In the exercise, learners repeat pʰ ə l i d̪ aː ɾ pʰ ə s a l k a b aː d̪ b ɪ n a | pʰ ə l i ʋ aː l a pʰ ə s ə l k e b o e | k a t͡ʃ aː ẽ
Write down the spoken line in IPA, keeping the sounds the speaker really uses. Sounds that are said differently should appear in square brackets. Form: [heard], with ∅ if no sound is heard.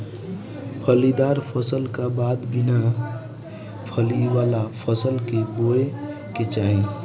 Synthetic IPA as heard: pʰ ə l i d̪ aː ɾ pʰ ə s [ə] l k a b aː d̪ b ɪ n a | pʰ ə l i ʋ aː l a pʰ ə s ə l k e b o e | k [e] t͡ʃ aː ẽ